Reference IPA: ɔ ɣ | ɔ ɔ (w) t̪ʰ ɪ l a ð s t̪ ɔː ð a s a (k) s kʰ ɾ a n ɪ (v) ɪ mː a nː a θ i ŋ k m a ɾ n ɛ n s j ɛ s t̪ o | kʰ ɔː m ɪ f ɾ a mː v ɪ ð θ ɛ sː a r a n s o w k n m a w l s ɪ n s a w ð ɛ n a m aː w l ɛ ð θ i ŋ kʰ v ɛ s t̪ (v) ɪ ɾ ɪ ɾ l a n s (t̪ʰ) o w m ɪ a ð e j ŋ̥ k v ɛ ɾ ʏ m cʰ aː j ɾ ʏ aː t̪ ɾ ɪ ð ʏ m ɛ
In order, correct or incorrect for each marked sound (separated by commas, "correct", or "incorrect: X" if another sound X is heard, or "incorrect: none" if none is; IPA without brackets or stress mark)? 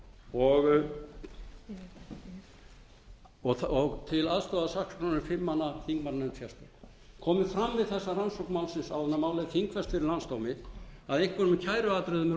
incorrect: ɣ, correct, incorrect: f, incorrect: f, incorrect: t̪